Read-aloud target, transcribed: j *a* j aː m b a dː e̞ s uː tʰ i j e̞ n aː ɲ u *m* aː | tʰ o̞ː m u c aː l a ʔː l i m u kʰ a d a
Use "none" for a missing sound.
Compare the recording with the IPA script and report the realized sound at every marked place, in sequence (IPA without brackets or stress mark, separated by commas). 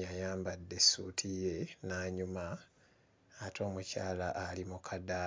a, m